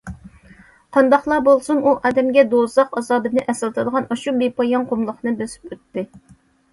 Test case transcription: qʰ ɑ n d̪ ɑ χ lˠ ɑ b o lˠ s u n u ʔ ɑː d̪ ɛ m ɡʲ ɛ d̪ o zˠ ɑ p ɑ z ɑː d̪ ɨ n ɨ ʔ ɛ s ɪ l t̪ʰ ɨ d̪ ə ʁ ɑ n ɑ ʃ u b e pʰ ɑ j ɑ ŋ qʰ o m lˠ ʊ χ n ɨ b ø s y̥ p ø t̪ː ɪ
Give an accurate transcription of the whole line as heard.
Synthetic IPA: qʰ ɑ n d̪ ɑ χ lˠ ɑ b o lˠ s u n u ʔ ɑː d̪ ɛ m ɡʲ ɛ d̪ o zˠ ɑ q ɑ z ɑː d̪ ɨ n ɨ ʔ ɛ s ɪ l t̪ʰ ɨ d̪ ə ʁ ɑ n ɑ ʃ u b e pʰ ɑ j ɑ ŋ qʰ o m lˠ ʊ χ n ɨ b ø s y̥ p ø t̪ː ɪ